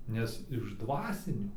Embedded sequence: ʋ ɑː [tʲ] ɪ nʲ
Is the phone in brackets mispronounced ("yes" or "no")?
yes